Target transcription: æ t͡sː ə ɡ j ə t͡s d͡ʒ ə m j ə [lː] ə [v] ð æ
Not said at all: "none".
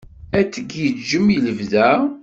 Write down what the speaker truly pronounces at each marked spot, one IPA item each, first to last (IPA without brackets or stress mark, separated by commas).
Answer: l, v